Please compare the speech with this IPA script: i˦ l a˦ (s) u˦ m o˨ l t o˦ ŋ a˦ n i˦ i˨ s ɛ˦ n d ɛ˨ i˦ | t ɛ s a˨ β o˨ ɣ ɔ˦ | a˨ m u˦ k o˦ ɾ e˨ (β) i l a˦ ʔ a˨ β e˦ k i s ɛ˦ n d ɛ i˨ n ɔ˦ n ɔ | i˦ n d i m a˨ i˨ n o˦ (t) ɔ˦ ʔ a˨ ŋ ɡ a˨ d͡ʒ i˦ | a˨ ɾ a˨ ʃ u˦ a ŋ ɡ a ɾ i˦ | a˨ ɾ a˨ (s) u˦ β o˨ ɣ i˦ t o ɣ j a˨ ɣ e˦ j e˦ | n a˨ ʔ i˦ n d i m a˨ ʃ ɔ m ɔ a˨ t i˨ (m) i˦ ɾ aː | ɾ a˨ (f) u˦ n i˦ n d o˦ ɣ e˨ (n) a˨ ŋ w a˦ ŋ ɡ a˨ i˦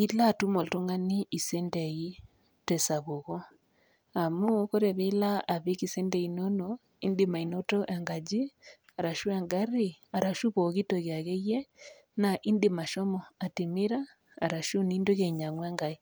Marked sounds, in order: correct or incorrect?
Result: incorrect: t, correct, correct, incorrect: ʃ, correct, incorrect: ʃ, incorrect: ɲ

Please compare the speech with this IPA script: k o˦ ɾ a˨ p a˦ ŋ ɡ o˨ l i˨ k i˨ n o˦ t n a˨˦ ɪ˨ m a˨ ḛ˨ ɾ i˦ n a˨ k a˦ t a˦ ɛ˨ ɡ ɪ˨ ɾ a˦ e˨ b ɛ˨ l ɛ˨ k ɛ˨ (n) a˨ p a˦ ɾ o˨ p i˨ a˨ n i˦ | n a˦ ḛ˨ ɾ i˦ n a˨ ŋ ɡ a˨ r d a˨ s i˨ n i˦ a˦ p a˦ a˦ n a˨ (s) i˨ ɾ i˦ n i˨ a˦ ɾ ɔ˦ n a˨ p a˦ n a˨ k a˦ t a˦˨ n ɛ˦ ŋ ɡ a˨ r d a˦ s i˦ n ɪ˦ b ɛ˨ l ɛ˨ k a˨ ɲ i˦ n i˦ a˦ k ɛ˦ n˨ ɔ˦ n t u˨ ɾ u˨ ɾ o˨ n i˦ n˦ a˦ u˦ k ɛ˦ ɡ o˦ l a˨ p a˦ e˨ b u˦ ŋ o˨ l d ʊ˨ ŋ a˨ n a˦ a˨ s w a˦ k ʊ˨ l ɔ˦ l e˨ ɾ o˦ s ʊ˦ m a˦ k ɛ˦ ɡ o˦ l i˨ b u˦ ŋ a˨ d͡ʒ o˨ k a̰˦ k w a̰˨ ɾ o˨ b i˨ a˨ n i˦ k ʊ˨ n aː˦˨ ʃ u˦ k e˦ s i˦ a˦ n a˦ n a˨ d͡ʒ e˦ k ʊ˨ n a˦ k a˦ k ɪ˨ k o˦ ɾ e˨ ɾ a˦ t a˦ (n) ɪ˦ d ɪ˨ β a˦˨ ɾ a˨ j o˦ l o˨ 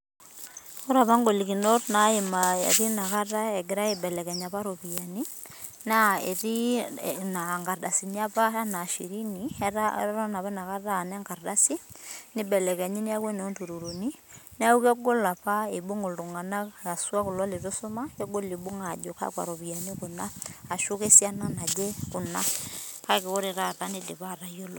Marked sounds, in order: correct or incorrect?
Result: incorrect: ɲ, incorrect: ʃ, correct

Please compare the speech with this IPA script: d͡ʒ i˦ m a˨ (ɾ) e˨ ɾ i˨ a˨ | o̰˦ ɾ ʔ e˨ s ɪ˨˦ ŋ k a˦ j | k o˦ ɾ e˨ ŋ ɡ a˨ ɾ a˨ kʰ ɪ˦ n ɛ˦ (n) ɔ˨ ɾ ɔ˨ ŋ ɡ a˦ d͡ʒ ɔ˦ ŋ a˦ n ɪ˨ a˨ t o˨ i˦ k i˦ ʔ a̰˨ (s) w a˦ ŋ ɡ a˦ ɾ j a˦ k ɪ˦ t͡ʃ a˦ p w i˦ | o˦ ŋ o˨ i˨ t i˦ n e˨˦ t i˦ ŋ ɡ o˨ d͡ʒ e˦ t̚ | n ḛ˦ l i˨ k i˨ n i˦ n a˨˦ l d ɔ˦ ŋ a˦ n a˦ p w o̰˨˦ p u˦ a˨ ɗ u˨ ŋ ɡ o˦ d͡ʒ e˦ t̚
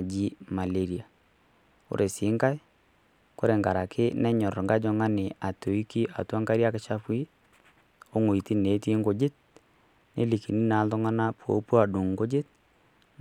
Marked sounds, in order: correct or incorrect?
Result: incorrect: l, incorrect: ɲ, incorrect: t

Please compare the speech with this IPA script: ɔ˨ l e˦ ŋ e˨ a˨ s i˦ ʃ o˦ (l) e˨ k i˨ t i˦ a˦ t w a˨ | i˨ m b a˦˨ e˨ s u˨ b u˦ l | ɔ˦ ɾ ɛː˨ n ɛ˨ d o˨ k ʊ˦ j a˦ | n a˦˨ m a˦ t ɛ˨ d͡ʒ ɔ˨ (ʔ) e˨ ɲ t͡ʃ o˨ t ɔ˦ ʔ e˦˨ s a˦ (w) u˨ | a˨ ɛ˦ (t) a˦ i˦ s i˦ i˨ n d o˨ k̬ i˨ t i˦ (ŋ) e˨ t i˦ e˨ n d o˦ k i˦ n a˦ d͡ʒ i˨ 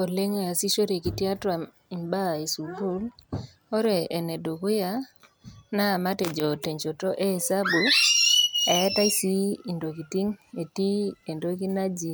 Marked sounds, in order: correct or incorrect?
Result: incorrect: ɾ, incorrect: t, incorrect: b, correct, correct

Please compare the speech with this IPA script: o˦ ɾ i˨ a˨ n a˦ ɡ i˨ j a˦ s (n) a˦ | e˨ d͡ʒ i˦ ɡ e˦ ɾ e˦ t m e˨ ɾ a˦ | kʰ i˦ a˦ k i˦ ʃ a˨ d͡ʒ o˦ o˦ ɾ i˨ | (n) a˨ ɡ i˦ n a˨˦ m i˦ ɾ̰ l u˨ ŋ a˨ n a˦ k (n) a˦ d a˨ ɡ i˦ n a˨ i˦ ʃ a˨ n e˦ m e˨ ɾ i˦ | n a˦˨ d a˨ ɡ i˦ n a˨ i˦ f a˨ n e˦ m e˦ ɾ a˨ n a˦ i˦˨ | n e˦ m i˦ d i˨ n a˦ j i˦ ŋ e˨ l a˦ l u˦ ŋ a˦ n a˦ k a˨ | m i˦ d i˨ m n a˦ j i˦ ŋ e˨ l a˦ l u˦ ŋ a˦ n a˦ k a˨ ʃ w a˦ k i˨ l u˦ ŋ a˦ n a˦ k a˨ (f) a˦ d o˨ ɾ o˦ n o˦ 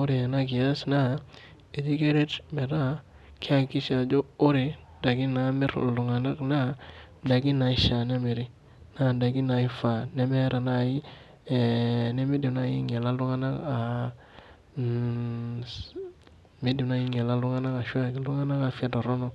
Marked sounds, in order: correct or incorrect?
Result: correct, incorrect: d, correct, correct

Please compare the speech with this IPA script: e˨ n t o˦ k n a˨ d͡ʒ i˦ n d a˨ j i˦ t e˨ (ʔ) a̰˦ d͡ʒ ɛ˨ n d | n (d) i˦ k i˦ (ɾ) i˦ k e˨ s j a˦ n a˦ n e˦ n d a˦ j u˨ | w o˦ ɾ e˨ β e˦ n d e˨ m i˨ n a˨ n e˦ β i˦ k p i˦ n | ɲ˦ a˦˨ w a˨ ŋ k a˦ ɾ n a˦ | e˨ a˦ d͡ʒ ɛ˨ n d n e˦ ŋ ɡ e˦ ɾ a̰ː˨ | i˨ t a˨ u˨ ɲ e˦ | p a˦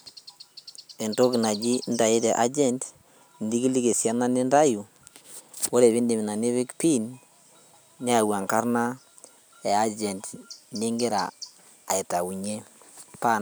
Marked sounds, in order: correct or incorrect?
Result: correct, correct, incorrect: l

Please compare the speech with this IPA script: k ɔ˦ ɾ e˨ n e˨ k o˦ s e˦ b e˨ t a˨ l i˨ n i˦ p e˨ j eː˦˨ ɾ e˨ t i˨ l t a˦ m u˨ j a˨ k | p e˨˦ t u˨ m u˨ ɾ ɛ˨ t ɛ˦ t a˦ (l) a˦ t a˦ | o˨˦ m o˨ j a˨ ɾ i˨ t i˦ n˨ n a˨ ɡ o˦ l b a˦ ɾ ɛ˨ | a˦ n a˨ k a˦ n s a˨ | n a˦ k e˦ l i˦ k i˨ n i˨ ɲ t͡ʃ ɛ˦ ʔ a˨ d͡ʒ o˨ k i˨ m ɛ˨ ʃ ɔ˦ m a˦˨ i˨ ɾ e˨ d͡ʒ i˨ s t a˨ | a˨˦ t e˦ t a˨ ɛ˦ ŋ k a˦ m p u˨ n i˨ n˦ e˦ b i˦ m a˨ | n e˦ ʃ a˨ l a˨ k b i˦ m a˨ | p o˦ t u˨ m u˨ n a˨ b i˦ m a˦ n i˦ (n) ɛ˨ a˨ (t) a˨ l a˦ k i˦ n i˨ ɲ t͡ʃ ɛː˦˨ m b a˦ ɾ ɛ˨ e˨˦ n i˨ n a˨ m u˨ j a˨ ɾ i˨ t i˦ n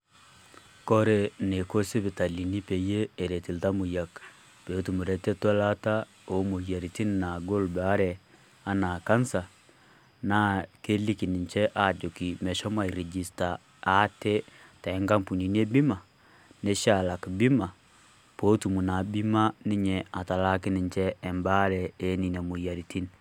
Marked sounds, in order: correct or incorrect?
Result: correct, incorrect: ɲ, correct

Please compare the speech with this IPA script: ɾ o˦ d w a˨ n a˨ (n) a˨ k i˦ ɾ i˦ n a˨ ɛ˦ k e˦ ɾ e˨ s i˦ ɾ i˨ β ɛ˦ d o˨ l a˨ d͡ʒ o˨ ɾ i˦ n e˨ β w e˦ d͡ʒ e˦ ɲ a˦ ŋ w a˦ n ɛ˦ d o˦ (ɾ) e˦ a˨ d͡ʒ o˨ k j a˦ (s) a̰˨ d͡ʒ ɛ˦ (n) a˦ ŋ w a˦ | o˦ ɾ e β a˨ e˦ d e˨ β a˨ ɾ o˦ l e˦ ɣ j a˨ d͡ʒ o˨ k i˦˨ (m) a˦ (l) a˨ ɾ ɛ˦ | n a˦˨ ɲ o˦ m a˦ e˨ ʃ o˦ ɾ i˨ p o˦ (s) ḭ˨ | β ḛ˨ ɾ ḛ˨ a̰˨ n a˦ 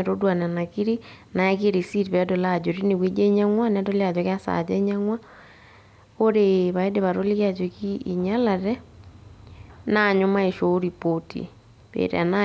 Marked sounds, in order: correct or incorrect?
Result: correct, incorrect: l, correct, incorrect: ɲ, incorrect: ɲ, correct, incorrect: t

